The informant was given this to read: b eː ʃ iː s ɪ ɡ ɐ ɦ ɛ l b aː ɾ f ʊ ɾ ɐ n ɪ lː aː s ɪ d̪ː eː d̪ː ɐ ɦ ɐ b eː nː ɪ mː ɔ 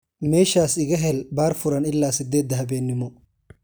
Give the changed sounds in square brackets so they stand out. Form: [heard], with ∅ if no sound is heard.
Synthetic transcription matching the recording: [m] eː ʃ [aː] s ɪ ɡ ɐ ɦ ɛ l b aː ɾ f ʊ ɾ ɐ n ɪ lː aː s ɪ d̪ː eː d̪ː ɐ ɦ ɐ b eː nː ɪ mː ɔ